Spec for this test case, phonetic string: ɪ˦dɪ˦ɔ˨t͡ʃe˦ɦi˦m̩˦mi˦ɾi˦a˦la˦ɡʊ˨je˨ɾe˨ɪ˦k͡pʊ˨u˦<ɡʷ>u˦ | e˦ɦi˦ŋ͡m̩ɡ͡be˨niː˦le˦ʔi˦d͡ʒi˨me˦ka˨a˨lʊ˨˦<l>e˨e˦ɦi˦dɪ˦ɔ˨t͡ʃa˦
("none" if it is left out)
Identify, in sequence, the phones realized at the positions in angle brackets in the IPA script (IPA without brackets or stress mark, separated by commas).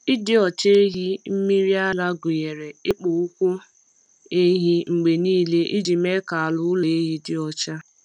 kʷ, l